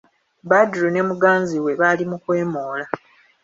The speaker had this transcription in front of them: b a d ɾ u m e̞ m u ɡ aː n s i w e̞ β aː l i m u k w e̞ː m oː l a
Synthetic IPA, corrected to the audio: b a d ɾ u n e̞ m u ɡ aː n z i w e̞ β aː l i m u k w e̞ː m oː l a